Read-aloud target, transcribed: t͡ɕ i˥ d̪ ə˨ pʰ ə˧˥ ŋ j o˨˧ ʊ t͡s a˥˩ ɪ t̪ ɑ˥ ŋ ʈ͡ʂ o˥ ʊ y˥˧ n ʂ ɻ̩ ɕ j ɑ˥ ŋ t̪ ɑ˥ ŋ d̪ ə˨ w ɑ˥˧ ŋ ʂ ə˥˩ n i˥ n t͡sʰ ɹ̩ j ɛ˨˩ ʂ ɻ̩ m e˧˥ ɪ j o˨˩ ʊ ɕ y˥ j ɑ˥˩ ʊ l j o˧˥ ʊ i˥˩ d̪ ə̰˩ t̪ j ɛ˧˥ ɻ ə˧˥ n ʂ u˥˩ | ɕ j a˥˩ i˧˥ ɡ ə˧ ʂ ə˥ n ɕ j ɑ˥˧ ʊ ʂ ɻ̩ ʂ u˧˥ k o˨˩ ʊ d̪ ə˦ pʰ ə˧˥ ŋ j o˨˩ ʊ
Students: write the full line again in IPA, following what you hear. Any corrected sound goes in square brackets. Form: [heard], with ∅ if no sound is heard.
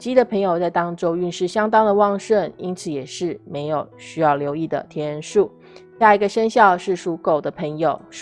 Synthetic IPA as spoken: t͡ɕ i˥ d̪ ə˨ pʰ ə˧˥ ŋ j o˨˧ ʊ t͡s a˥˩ ɪ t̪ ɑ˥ ŋ ʈ͡ʂ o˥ ʊ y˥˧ n ʂ ɻ̩ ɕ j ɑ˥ ŋ t̪ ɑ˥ ŋ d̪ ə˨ w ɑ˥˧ ŋ ʂ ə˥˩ n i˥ n t͡sʰ ɹ̩ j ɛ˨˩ ʂ ɻ̩ m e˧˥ ɪ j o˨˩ ʊ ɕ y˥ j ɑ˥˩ ʊ l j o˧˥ ʊ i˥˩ d̪ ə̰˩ [t̪ʰ] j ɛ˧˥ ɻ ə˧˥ n ʂ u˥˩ | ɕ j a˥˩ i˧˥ ɡ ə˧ ʂ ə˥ n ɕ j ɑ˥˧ ʊ ʂ ɻ̩ ʂ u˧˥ k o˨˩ ʊ d̪ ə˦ pʰ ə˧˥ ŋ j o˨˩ ʊ